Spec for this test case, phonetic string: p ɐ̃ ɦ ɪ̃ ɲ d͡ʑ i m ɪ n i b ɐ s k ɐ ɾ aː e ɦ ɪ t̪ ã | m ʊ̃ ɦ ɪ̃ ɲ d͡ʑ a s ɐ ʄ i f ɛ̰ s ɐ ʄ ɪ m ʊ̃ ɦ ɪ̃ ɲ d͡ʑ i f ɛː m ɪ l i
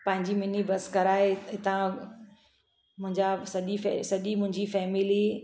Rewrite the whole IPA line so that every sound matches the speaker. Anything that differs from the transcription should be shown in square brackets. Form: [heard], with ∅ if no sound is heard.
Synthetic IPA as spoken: p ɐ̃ ɦ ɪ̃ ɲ d͡ʑ i m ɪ n i b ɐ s k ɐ ɾ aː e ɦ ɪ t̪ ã | m ʊ̃ ɦ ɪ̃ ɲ d͡ʑ a s ɐ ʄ i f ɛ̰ s ɐ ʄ [i] m ʊ̃ ɦ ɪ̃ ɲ d͡ʑ i f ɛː m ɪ l i